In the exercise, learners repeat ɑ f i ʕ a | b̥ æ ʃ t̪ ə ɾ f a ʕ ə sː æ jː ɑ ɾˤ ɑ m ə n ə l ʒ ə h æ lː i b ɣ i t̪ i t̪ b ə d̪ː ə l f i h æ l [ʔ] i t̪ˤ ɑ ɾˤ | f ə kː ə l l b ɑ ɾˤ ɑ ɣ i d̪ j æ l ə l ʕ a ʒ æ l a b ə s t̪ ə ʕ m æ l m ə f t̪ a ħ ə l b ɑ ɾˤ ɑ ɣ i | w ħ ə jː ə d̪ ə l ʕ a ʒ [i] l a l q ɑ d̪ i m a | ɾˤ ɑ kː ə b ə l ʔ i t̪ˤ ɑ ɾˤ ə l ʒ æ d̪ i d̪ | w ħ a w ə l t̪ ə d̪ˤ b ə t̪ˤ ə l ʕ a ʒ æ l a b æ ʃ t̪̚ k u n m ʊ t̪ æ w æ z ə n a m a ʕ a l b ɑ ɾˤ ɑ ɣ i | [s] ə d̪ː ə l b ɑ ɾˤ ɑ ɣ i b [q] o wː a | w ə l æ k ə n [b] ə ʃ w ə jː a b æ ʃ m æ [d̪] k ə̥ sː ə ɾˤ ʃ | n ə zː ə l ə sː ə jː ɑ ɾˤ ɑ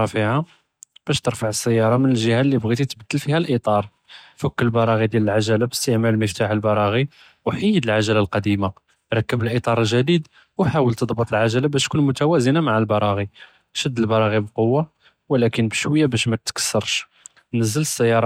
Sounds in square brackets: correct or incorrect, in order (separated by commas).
correct, incorrect, incorrect, correct, correct, incorrect